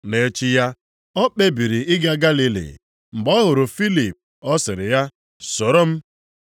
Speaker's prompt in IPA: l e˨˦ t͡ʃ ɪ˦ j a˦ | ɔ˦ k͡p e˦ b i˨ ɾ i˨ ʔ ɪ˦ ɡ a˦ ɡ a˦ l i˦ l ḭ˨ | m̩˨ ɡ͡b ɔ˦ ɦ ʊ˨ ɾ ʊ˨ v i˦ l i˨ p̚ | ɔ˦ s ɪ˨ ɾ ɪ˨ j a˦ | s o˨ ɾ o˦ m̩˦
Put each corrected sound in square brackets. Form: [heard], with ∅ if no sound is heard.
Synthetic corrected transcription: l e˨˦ t͡ʃ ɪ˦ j a˦ | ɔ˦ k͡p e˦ b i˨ ɾ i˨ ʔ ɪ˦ ɡ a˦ ɡ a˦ l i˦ l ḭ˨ | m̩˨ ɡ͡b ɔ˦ ɦ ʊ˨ ɾ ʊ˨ [f] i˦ l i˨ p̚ | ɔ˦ s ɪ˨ ɾ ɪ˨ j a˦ | s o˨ ɾ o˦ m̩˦